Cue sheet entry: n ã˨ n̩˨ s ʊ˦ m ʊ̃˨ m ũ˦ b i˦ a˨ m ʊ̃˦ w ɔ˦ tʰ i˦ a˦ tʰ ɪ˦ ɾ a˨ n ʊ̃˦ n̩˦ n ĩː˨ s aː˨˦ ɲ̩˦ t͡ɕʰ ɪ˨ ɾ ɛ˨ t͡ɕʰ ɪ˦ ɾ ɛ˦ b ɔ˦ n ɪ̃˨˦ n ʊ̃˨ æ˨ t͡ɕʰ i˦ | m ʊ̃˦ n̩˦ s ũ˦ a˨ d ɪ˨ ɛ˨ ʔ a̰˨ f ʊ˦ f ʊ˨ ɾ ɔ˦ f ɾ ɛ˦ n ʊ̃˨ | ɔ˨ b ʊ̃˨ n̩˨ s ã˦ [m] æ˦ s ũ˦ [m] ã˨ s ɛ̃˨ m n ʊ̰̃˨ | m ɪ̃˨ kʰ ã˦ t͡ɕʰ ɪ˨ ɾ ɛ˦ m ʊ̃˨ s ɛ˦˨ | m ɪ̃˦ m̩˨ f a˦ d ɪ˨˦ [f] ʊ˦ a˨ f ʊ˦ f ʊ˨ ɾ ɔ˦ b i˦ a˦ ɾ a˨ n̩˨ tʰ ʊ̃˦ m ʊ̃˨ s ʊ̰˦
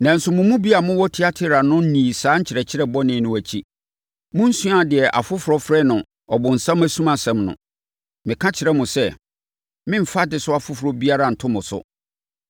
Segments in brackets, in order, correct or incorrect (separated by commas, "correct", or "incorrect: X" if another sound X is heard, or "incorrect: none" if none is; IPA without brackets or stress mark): correct, correct, incorrect: s